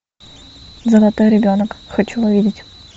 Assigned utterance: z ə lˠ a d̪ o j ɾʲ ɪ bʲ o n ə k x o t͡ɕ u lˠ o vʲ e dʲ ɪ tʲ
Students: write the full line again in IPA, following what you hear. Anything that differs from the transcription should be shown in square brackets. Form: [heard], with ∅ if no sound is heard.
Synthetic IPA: z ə lˠ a [t̪] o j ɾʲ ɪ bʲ o n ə k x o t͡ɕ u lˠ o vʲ [i] dʲ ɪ tʲ